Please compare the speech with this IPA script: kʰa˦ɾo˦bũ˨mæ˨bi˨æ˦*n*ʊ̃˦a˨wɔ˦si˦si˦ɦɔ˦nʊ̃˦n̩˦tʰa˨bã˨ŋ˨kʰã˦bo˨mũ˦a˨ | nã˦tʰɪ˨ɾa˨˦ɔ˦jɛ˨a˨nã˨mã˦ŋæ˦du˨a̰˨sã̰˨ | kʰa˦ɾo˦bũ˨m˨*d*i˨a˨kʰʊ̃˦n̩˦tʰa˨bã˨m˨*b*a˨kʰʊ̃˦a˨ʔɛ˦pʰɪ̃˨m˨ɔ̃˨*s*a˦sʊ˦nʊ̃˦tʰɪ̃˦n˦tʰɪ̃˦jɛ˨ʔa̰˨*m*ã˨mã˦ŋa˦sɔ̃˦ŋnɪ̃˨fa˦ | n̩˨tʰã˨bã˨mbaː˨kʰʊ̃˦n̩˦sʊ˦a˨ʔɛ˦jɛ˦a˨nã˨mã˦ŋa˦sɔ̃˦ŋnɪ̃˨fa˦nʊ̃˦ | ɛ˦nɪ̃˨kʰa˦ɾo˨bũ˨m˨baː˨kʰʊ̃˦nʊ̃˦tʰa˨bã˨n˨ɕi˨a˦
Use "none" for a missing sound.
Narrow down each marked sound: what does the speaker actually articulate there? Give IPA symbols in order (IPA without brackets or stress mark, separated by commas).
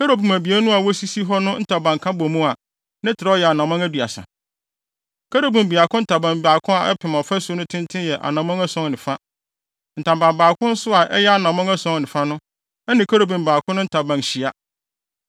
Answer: n, b, b, f, n